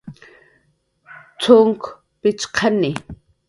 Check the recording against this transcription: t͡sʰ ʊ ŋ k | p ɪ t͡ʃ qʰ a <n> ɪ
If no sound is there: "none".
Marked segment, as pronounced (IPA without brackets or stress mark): n